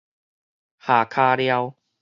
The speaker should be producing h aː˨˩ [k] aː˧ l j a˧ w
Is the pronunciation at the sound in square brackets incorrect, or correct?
incorrect